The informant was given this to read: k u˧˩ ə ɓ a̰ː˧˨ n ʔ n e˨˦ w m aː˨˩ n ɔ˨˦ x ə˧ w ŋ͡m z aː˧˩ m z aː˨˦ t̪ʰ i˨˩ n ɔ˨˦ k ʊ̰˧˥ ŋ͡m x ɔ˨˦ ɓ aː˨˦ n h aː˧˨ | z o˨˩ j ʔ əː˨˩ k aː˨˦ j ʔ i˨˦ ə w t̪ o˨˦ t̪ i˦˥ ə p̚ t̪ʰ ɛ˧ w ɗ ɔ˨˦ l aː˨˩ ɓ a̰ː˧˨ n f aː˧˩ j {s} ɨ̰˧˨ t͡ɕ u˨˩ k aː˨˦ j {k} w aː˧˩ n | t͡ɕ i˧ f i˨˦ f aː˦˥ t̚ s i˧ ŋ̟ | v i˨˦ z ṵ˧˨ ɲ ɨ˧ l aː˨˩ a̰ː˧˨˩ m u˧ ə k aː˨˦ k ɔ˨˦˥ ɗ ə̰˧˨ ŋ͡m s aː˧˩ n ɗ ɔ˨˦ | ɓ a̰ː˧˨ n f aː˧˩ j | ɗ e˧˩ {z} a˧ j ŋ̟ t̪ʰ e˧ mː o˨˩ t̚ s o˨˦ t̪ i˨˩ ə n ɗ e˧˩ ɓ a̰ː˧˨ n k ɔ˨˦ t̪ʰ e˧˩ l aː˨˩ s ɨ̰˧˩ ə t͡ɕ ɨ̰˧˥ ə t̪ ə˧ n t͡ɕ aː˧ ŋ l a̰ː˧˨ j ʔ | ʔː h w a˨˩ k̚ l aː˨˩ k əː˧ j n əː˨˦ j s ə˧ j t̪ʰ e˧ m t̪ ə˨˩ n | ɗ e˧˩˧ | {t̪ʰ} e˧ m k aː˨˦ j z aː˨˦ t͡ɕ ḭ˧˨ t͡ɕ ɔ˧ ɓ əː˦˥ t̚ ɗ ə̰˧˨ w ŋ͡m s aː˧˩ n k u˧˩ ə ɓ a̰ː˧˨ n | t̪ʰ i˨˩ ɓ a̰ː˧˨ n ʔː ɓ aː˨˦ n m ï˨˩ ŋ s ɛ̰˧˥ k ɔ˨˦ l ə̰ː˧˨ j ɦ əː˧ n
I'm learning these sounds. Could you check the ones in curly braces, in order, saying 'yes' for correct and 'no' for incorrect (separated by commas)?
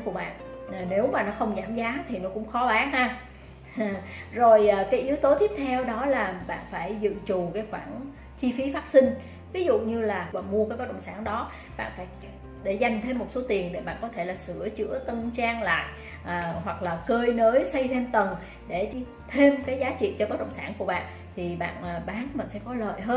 no, no, yes, yes